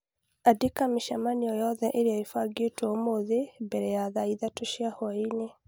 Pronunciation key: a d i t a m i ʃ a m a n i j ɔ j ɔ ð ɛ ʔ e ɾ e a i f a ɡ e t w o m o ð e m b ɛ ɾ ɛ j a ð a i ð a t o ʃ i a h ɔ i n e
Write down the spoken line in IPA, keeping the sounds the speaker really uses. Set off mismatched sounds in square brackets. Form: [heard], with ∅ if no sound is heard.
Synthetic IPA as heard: a d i [k] a m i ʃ a m a n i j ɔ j ɔ ð ɛ ʔ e ɾ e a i f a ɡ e t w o m o ð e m b ɛ ɾ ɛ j a ð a i ð a t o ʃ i a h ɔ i n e